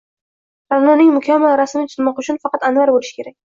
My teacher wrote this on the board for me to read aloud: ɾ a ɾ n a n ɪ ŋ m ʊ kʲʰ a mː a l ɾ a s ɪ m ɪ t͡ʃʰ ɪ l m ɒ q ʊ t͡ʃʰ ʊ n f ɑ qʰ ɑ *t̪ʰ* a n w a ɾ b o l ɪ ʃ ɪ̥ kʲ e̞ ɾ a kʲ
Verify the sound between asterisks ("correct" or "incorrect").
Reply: incorrect